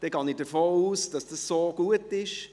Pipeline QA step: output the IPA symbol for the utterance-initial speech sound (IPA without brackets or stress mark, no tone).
d̥